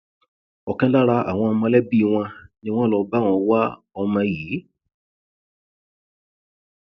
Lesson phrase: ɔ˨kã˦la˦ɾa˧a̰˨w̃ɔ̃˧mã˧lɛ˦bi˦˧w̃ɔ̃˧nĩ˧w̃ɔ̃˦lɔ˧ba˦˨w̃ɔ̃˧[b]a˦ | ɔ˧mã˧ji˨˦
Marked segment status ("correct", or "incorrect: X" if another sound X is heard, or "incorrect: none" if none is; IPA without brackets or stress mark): incorrect: w